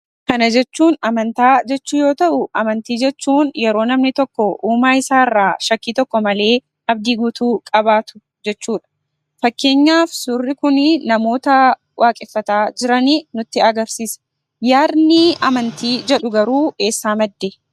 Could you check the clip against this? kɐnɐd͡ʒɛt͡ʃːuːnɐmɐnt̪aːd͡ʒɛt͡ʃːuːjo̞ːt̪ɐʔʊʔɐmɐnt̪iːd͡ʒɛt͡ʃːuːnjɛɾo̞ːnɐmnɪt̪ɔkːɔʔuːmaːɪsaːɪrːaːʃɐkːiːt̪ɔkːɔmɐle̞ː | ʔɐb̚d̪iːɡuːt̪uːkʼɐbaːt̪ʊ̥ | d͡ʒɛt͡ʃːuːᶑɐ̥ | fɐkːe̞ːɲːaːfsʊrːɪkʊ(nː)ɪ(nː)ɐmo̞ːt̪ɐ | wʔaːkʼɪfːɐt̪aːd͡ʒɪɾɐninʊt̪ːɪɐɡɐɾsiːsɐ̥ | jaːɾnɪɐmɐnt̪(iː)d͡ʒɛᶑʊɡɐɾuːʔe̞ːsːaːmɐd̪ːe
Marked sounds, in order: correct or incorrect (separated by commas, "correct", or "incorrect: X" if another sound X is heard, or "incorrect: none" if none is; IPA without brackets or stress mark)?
incorrect: n, incorrect: n, correct